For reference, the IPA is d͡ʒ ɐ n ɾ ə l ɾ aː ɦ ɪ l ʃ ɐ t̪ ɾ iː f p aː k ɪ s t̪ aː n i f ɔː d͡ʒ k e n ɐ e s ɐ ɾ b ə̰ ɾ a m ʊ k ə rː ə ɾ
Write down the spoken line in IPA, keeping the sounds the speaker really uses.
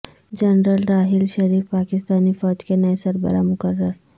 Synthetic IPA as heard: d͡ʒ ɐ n ɾ ə l ɾ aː ɦ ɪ l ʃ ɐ ɾ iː f p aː k ɪ s t̪ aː n i f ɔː d͡ʒ k e n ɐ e s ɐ ɾ b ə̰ ɾ a m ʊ k ə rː ə ɾ